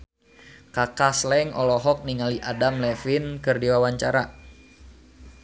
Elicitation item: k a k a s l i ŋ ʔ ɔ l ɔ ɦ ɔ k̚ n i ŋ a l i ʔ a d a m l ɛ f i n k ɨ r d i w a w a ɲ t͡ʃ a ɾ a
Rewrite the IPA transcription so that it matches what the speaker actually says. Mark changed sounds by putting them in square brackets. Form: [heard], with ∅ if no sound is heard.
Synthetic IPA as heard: k a k a s l [ɛ] ŋ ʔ ɔ l ɔ ɦ ɔ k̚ n i ŋ a l i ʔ a d a m l ɛ f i n k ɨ r d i w a w a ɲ t͡ʃ a ɾ a